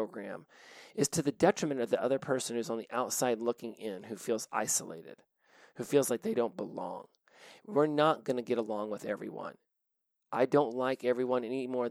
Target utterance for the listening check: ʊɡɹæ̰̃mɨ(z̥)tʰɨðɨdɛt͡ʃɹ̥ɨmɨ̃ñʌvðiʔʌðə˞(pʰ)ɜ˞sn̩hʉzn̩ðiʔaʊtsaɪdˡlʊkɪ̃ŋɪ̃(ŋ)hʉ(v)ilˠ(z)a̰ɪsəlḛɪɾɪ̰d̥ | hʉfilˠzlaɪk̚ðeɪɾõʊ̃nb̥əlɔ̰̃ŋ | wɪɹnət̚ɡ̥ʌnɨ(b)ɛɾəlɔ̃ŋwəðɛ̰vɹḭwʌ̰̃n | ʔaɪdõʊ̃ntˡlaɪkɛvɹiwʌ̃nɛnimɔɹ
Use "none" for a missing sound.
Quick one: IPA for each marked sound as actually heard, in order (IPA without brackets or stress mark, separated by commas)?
z̥, pʰ, n, f, z, ɡ